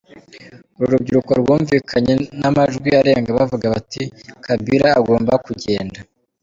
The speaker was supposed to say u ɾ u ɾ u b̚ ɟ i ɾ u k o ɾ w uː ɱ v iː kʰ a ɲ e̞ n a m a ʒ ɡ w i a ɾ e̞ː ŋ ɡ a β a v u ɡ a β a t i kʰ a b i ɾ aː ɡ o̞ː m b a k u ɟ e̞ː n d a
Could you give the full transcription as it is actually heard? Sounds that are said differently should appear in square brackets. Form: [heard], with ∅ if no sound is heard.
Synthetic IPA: u ɾ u ɾ u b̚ ɟ i ɾ u k o ɾ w uː ɱ v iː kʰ a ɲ e̞ n a m a ʒ ɡ w i a ɾ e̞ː ŋ ɡ a β a v u ɡ a β a t i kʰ a b i ɾ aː ɡ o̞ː m b a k u ɟ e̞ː n d a

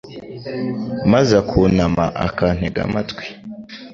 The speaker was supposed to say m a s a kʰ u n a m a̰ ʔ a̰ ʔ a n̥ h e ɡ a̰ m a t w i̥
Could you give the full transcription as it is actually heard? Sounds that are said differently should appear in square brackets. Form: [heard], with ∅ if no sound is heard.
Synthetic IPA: m a [z] a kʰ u n a m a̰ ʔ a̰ [k] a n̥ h e ɡ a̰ m a t w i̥

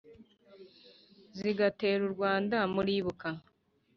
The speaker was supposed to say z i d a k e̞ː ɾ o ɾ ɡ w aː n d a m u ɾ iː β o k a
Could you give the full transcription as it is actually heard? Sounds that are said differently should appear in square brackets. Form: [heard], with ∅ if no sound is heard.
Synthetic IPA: z i [ɡ] a [t] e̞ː ɾ [u] ɾ ɡ w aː n d a m u ɾ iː β [u] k a

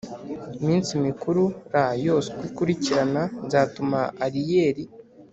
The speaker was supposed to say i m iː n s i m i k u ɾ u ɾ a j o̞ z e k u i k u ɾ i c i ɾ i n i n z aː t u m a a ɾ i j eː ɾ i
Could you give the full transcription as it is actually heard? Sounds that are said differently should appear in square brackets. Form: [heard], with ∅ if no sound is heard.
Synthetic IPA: i m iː n s i m i k u ɾ u ɾ a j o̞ [s] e k [w] i k u ɾ i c i ɾ [a] n [a] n z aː t u m a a ɾ i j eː ɾ i

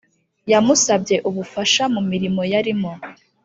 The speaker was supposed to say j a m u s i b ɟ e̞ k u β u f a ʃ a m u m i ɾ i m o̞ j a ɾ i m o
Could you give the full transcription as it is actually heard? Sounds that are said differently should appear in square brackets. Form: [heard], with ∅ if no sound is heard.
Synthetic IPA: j a m u s [a] b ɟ e̞ [ʔ] u β u f a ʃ a m u m i ɾ i m o̞ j a ɾ i m o

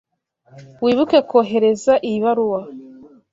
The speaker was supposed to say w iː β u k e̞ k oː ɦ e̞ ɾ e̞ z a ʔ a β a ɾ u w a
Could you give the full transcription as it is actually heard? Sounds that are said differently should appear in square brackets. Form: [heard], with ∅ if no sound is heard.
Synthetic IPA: w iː β u k e̞ k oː ɦ e̞ ɾ e̞ z a ʔ [i] β a ɾ u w a

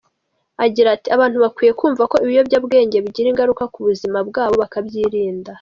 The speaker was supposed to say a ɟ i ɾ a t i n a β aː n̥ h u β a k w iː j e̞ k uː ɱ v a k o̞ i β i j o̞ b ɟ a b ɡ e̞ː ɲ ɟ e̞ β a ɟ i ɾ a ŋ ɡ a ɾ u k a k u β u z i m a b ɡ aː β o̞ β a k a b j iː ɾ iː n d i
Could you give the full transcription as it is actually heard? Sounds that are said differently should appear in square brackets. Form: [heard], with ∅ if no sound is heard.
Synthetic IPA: a ɟ i ɾ a t i [∅] a β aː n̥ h u β a k w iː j e̞ k uː ɱ v a k o̞ i β i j o̞ b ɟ a b ɡ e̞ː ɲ ɟ e̞ β [i] ɟ i ɾ [i] ŋ ɡ a ɾ u k a k u β u z i m a b ɡ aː β o̞ β a k a b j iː ɾ iː n d [a]

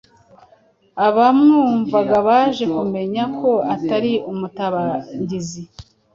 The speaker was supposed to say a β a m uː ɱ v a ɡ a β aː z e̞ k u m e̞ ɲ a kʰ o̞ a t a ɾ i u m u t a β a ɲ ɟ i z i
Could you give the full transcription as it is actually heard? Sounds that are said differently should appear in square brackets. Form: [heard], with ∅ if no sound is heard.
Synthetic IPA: a β a m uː ɱ v a ɡ a β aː [ʒ] e̞ k u m e̞ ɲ a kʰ o̞ a t a ɾ i u m u t a β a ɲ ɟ i z i

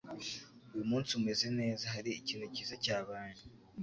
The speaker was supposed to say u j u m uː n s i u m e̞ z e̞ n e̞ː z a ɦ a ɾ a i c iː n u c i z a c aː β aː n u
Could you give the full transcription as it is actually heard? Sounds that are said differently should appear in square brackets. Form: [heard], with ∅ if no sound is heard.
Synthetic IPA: u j u m uː n s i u m e̞ z e̞ n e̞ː z a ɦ a ɾ [i] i c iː n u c i z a c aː β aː n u

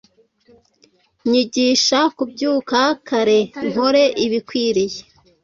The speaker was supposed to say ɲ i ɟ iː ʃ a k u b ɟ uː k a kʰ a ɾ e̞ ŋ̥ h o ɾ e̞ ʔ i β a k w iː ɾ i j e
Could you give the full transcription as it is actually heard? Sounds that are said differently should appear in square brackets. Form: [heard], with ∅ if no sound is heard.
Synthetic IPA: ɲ i ɟ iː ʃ a k u b ɟ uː k a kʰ a ɾ e̞ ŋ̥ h o ɾ e̞ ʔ i β [i] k w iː ɾ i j e

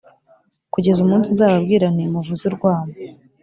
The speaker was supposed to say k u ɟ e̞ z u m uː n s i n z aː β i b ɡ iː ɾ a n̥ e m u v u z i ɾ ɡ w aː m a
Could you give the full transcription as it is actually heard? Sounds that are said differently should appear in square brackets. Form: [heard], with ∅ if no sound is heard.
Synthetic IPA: k u ɟ e̞ z u m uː n s i n z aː β [a] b ɡ iː ɾ a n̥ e m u v u z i ɾ ɡ w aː m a

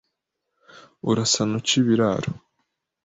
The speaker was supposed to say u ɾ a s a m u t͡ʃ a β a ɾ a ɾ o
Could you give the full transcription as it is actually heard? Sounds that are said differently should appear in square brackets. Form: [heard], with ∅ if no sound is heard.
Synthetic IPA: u ɾ a s a [n] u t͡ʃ [i] β [i] ɾ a ɾ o

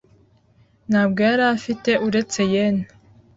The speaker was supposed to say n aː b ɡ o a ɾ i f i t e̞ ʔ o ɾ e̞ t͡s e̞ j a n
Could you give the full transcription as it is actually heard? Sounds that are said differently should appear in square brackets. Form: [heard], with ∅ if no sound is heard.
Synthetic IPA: n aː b ɡ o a ɾ [a] f i t e̞ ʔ [u] ɾ e̞ t͡s e̞ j [e] n

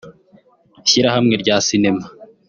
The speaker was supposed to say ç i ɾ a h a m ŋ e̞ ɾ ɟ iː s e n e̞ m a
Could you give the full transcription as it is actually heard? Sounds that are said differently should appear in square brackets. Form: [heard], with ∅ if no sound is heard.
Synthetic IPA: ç i ɾ a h a m ŋ e̞ ɾ ɟ [aː] s [i] n e̞ m a

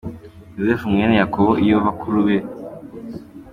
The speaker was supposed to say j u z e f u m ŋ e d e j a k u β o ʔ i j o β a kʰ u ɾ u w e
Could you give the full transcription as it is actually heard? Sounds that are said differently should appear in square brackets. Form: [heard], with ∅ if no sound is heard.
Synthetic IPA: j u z e f u m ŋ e [n] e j a k [o] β o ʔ i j o β a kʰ u ɾ u [β] e

